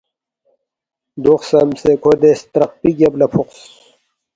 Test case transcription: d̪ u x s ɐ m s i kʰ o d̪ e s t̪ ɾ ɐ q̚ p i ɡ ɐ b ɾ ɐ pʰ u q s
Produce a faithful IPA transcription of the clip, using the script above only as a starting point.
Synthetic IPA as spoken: d̪ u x s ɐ m s e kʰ o d̪ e s t̪ ɾ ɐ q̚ p i ɡ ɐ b l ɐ pʰ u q s